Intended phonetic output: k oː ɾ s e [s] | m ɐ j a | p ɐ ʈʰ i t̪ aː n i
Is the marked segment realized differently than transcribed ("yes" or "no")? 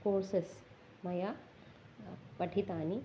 no